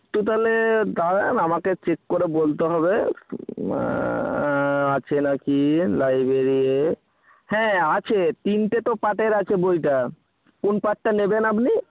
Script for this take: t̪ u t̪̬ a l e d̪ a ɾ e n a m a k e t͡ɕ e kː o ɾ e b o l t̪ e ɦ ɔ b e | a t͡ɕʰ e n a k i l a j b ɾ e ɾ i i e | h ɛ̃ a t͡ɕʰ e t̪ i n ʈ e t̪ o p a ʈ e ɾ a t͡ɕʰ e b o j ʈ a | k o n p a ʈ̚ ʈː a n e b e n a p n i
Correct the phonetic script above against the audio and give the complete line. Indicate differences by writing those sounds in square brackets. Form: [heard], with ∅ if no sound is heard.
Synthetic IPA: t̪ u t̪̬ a l e d̪ a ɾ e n a m a k e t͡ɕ e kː o ɾ e b o l t̪ e ɦ ɔ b e | a t͡ɕʰ e n a k i l a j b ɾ e ɾ i i e | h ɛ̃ a t͡ɕʰ e t̪ i n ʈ e t̪ o p a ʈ e ɾ a t͡ɕʰ e b o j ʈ a | k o n p a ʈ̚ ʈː a n e b e n a p n i